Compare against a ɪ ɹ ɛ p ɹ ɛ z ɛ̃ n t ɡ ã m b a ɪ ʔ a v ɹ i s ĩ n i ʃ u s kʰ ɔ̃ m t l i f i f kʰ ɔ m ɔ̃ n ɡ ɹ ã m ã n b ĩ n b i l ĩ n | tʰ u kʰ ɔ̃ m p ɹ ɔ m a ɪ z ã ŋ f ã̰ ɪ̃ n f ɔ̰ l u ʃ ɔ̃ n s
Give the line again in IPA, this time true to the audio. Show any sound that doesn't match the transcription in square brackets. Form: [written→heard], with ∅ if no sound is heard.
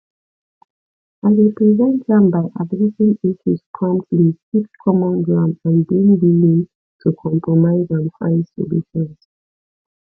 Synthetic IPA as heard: a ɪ ɹ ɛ p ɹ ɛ z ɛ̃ n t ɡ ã m b a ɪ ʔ a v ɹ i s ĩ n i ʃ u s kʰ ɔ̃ m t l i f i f kʰ ɔ m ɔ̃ n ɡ ɹ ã m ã n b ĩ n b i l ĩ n | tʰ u kʰ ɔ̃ m p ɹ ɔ m a ɪ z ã [ŋ→n] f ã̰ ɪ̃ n [f→s] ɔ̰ l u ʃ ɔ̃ n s